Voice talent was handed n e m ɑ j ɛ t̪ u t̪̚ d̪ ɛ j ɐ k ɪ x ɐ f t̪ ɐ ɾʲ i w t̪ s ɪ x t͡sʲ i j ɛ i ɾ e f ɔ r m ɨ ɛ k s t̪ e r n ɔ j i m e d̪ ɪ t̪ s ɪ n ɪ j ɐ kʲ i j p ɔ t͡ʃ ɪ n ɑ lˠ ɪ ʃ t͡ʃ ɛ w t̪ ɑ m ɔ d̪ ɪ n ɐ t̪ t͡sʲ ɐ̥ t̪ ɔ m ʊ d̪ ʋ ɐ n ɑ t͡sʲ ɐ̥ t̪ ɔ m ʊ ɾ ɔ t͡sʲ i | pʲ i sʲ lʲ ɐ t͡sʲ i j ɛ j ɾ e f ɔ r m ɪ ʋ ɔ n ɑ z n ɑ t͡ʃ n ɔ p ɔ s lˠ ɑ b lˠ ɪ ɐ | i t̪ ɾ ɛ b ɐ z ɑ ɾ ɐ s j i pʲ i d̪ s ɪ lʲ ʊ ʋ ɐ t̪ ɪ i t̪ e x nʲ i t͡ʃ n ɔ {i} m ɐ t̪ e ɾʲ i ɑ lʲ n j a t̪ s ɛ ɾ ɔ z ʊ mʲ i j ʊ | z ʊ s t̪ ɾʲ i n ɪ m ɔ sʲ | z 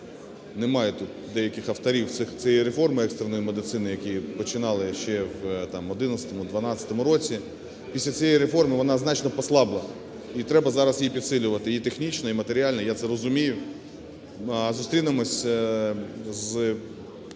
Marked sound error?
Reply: no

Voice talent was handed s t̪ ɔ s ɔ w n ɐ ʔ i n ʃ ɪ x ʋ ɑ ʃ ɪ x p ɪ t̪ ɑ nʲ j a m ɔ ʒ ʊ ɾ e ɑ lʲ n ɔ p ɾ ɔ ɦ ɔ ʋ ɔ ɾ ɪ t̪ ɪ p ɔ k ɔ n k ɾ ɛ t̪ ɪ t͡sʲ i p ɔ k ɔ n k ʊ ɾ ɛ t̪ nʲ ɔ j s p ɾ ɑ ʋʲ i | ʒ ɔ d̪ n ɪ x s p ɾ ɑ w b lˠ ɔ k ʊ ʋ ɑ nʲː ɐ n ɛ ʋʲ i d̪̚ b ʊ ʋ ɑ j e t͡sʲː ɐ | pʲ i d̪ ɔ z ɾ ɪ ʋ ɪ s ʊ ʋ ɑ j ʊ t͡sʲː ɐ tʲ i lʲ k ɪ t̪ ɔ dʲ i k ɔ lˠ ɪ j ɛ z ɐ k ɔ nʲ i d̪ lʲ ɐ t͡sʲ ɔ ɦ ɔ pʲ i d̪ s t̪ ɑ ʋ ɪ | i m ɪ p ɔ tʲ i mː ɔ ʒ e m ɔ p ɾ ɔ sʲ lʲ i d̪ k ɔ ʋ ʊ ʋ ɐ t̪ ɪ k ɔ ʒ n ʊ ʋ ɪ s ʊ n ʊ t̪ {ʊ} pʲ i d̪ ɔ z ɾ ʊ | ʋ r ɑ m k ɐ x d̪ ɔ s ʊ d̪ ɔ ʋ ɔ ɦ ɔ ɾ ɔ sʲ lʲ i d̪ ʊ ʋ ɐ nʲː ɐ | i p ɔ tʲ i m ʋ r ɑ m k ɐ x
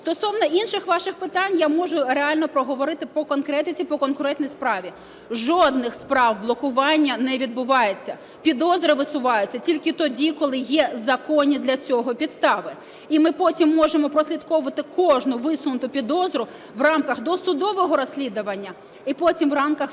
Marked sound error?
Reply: no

